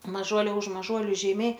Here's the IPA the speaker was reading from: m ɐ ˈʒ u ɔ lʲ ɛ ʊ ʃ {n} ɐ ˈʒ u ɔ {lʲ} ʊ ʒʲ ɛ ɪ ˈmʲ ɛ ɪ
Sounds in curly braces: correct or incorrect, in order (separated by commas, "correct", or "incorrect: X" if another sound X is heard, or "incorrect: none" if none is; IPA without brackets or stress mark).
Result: incorrect: m, correct